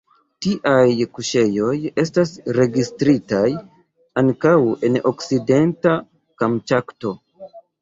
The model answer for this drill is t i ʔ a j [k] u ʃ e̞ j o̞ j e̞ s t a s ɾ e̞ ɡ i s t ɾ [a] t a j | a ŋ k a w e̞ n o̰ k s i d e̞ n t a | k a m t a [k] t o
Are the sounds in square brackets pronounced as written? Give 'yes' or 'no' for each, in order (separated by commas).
yes, no, yes